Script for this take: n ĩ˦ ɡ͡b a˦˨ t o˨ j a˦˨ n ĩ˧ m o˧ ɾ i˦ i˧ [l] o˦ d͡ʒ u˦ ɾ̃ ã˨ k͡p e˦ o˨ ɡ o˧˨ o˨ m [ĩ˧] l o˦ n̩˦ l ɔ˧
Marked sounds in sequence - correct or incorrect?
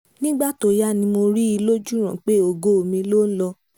correct, correct

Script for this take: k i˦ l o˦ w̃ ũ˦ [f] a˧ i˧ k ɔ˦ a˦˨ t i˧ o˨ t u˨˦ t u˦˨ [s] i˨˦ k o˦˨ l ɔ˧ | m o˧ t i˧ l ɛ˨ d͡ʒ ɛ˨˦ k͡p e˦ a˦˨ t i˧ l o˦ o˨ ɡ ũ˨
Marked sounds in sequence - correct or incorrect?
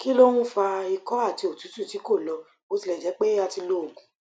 correct, incorrect: t

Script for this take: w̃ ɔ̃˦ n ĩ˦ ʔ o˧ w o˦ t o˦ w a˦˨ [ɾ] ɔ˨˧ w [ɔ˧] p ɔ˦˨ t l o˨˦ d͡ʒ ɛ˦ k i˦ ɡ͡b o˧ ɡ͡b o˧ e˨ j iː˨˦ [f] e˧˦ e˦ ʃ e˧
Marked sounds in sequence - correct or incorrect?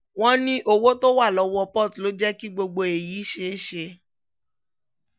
incorrect: l, correct, incorrect: ʃ

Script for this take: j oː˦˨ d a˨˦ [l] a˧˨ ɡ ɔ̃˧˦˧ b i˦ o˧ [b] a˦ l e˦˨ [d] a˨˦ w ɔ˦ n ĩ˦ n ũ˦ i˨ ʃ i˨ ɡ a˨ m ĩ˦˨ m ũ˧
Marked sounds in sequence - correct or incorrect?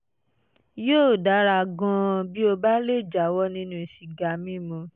incorrect: ɾ, correct, incorrect: d͡ʒ

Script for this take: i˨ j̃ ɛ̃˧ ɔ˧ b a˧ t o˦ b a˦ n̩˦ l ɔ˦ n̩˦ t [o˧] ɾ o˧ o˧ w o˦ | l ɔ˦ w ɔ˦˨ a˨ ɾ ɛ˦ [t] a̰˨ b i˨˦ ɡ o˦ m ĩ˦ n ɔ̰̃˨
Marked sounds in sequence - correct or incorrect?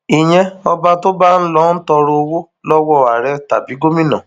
incorrect: ɔ˧, correct

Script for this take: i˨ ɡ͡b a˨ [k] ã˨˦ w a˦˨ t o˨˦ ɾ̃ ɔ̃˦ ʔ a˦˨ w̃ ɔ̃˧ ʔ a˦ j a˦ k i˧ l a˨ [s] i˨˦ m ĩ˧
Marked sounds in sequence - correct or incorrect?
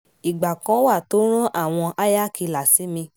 correct, correct

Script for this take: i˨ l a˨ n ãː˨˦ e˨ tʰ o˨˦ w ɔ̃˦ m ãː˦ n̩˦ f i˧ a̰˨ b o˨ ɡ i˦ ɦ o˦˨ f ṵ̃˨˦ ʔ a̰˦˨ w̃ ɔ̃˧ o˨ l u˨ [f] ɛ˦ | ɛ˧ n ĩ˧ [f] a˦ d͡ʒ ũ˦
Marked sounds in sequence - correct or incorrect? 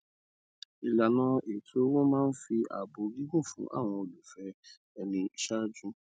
correct, incorrect: ʃ

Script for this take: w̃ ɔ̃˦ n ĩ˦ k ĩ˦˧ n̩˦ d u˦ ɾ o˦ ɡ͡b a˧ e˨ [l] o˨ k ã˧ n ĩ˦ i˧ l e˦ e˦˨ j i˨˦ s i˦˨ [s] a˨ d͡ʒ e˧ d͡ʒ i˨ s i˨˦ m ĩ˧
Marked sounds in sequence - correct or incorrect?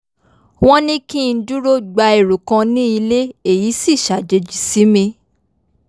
incorrect: ɾ, incorrect: ʃ

